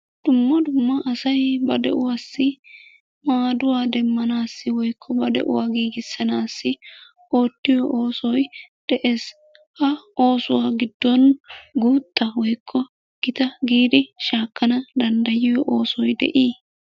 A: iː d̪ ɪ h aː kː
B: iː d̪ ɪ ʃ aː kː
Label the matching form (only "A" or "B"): B